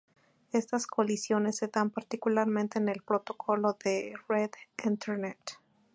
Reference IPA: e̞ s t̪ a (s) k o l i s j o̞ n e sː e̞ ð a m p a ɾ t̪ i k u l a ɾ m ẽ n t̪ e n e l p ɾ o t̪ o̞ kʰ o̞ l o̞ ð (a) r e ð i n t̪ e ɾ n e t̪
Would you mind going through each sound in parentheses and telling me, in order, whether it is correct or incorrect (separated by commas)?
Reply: correct, incorrect